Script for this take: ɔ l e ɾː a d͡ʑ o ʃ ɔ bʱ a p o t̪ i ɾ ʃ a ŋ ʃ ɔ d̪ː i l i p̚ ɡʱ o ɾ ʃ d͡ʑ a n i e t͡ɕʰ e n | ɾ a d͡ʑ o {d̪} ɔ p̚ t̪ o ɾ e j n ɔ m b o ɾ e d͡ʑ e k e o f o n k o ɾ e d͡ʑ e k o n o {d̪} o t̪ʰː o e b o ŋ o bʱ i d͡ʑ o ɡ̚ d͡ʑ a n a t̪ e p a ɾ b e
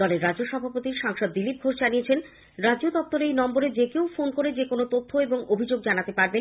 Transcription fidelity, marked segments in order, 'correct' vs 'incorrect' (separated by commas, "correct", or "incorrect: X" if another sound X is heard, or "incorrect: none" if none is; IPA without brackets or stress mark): correct, incorrect: t̪